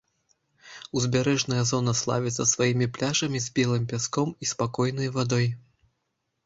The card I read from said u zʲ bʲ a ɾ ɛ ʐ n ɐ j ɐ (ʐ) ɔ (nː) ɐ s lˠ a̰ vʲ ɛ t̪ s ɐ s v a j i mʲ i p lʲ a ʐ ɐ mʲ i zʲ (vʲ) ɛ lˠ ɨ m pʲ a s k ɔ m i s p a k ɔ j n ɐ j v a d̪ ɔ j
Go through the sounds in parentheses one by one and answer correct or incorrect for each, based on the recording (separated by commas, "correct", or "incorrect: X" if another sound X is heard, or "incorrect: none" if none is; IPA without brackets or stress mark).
incorrect: z, incorrect: n, incorrect: bʲ